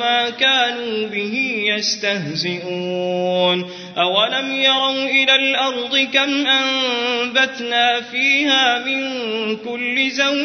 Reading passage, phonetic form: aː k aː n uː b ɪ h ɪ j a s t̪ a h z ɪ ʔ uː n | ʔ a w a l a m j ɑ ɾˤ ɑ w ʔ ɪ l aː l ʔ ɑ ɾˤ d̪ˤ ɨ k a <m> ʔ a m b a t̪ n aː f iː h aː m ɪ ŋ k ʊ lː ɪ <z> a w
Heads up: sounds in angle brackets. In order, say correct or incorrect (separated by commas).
correct, correct